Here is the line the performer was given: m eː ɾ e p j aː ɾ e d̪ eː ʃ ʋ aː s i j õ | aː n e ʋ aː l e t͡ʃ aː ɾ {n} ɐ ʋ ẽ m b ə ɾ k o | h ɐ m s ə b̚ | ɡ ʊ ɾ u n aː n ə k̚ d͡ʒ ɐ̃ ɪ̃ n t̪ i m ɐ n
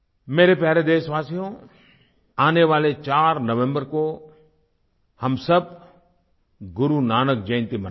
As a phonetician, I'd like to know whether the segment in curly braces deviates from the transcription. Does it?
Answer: no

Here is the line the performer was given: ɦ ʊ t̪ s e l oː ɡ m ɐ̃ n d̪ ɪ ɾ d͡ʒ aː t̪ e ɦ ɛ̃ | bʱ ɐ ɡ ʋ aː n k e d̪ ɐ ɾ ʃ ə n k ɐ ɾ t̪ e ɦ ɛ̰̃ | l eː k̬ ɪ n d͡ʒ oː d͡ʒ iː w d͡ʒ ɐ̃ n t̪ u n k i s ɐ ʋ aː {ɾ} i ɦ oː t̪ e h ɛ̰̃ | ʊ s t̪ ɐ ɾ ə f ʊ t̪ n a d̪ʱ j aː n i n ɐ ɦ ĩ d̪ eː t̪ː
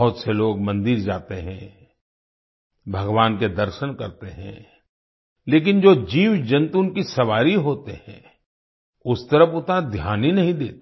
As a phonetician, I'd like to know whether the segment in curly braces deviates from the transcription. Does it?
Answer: no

